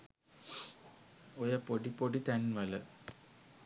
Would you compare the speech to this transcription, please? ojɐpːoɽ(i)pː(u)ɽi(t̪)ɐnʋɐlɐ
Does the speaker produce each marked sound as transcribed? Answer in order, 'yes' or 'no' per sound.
yes, no, yes

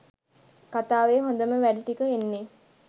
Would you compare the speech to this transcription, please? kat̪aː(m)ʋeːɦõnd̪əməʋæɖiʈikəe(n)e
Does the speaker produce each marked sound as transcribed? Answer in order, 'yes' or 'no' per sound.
no, no

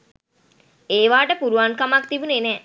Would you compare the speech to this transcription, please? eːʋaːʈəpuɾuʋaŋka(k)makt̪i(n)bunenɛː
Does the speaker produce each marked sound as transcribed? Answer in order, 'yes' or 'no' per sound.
no, no

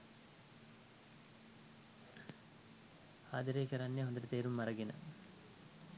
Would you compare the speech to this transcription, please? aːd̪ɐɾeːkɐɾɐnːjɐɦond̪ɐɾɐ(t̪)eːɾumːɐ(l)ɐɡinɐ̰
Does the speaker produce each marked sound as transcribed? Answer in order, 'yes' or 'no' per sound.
yes, no

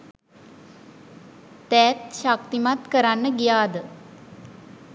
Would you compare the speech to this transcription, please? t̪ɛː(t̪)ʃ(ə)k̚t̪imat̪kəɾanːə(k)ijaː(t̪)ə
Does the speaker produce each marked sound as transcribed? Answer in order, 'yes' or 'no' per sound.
yes, no, no, no

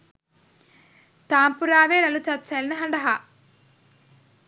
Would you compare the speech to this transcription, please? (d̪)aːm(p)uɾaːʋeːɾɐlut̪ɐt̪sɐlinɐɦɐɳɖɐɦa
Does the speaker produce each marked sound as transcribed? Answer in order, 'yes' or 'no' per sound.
no, yes

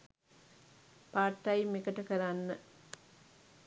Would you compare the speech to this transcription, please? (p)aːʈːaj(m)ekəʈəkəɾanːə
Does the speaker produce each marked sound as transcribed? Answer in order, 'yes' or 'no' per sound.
yes, yes

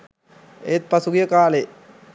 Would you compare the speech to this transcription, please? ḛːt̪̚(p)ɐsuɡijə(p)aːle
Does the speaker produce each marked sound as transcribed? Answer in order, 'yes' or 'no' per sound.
yes, no

